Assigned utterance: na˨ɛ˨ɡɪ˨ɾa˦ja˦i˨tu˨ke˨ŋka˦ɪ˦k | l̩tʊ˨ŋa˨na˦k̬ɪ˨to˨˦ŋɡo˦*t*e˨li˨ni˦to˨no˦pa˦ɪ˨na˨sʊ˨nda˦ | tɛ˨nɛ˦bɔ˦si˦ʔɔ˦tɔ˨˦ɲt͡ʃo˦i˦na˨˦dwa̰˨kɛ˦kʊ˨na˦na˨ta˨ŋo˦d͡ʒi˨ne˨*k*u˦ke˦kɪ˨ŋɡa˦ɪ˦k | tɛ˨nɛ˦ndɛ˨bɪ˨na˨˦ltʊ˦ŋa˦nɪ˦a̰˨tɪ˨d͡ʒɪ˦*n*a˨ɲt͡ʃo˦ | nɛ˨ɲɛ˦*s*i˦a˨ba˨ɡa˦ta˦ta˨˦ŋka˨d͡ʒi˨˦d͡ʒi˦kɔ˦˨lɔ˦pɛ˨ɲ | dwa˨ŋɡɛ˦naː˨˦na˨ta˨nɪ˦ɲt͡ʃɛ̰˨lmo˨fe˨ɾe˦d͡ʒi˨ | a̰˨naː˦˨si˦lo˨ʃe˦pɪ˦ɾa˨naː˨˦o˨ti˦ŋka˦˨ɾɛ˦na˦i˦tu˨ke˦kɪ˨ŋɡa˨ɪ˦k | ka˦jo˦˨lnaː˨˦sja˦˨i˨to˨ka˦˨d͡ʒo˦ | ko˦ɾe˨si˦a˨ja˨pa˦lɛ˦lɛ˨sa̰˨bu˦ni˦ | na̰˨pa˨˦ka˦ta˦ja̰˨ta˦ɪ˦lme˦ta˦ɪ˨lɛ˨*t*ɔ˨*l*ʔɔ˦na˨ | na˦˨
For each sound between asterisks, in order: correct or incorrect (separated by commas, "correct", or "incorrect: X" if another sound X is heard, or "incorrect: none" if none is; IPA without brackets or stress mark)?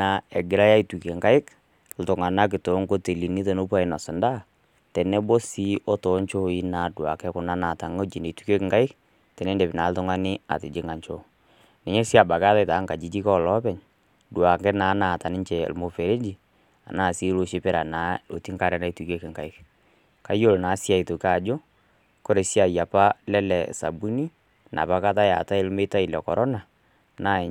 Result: correct, incorrect: t, incorrect: ŋ, correct, incorrect: k, incorrect: ɾ